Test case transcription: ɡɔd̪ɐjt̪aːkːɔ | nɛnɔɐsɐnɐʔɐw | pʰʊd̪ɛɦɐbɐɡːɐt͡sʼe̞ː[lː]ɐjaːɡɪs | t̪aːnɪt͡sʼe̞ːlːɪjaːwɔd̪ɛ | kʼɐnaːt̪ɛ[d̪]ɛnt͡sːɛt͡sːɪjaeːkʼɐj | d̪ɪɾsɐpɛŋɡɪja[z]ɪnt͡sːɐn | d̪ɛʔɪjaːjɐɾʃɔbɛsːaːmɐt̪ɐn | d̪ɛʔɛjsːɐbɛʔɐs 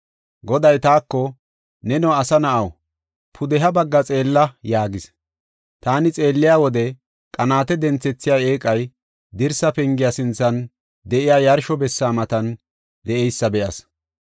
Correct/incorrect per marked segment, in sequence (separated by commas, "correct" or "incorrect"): correct, correct, incorrect